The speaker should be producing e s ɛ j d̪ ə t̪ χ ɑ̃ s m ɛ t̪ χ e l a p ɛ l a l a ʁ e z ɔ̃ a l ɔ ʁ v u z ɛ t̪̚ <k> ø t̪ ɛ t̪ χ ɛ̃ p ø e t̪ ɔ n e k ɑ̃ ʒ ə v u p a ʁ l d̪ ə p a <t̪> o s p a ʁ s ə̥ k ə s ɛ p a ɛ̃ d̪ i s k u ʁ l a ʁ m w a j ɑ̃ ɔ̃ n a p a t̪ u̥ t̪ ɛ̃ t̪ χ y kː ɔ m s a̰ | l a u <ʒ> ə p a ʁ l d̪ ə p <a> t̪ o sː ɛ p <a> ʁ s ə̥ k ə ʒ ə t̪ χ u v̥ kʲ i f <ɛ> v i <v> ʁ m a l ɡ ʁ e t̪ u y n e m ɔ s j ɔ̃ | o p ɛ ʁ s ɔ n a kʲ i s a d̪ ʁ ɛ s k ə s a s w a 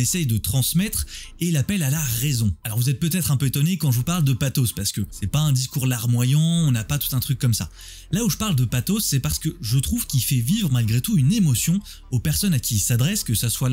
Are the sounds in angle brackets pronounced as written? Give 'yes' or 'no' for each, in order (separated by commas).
no, yes, yes, yes, yes, yes, yes